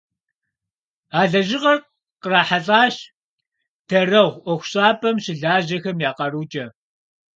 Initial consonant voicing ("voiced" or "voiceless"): voiced